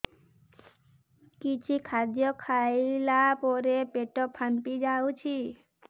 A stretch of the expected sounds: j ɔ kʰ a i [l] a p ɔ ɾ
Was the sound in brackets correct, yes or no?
yes